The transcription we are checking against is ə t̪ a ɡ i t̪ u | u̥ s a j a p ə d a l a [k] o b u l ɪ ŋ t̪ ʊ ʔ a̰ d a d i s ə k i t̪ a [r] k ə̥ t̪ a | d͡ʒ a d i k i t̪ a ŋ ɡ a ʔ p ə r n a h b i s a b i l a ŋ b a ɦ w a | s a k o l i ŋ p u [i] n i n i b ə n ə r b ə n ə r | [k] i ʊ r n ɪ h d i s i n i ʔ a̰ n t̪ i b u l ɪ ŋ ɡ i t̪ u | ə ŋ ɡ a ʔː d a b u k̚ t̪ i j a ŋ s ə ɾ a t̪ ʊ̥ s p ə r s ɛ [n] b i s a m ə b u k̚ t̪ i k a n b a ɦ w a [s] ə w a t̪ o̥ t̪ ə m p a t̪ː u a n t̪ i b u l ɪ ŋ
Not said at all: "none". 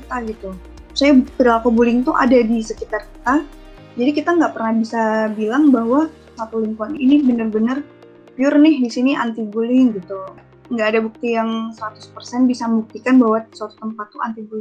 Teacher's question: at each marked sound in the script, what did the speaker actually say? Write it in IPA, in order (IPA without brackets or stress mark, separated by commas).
k, r, a, p, n, s